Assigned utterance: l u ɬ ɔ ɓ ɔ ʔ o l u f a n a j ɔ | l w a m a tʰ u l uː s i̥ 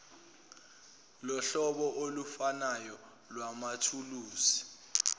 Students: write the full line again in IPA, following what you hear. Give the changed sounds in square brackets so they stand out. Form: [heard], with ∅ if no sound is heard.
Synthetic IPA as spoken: l [ɔ] ɬ ɔ ɓ ɔ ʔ o l u f a n a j ɔ | l w a m a tʰ u l uː s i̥